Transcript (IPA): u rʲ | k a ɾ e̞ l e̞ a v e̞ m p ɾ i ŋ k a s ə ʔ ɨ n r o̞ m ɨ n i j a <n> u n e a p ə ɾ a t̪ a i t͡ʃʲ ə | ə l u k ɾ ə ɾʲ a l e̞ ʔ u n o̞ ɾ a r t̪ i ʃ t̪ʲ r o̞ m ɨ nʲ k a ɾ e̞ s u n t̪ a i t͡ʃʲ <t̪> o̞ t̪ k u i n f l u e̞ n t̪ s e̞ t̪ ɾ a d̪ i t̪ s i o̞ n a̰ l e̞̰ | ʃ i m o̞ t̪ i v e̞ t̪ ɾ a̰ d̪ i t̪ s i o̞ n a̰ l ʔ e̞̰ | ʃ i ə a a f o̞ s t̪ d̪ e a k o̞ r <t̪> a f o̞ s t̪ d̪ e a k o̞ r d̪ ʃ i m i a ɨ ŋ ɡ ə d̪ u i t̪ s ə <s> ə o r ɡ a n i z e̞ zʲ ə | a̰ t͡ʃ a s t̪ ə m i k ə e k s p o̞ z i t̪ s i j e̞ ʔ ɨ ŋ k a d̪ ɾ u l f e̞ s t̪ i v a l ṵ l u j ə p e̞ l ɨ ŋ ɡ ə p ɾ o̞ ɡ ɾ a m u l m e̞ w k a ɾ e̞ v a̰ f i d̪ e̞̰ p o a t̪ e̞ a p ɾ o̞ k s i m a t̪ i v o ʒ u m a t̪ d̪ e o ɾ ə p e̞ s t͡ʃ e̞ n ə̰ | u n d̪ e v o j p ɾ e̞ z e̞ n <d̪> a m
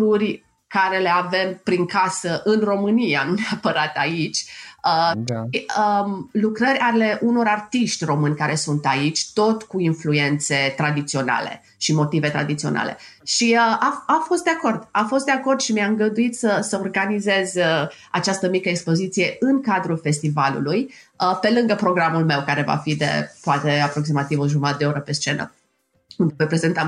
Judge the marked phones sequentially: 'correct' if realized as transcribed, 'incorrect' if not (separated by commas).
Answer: correct, correct, incorrect, correct, incorrect